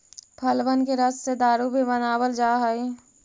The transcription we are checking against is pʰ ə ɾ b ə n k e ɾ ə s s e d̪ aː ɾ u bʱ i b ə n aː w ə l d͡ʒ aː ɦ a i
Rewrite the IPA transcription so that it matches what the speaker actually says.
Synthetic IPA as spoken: pʰ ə l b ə n k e ɾ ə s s e d̪ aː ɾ u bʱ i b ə n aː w ə l d͡ʒ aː ɦ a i